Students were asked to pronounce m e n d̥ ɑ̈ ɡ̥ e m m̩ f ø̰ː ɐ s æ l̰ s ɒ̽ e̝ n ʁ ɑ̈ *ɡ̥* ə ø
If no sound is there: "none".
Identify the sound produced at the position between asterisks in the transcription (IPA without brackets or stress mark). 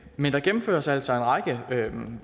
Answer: ɡ̥